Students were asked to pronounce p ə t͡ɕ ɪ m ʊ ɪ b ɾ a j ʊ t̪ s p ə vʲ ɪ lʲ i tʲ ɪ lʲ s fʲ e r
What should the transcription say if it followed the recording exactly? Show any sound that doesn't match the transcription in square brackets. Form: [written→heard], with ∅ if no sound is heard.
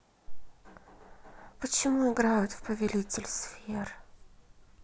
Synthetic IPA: p ə t͡ɕ ɪ m [ʊ→u] ɪ [b→ɡ] ɾ a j ʊ t̪ [s→f] p ə vʲ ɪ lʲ i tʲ ɪ lʲ s fʲ e r